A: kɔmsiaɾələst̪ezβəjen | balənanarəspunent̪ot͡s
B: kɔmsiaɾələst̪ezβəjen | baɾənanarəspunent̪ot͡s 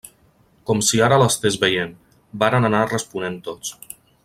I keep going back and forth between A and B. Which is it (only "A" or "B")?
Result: B